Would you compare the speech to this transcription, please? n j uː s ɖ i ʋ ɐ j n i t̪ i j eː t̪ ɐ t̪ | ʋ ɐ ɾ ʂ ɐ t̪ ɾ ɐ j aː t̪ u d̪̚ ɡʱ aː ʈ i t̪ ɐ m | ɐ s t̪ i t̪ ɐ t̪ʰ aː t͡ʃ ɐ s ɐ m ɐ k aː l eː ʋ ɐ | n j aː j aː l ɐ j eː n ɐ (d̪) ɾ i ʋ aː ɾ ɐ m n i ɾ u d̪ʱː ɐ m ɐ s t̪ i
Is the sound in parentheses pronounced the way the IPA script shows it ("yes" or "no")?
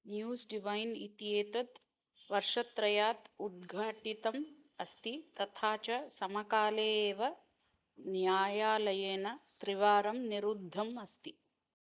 no